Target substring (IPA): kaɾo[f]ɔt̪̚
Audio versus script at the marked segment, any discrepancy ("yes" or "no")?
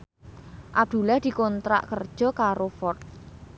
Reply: no